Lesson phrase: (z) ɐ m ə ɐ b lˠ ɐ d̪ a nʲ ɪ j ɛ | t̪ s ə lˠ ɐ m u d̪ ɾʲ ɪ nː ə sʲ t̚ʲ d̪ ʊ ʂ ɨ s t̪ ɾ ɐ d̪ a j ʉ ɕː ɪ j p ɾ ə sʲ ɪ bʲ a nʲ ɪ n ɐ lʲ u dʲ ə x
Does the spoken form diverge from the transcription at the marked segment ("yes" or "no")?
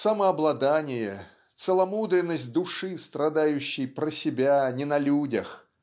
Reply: yes